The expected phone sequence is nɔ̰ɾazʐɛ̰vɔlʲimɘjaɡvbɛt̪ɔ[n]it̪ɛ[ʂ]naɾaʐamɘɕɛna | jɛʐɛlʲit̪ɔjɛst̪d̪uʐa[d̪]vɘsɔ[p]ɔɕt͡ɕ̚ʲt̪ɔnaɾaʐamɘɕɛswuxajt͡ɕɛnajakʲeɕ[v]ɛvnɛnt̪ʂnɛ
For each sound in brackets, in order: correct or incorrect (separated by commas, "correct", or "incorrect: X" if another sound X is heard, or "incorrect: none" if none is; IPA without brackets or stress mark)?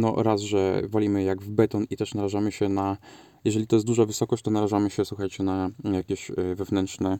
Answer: correct, correct, incorrect: none, incorrect: k, correct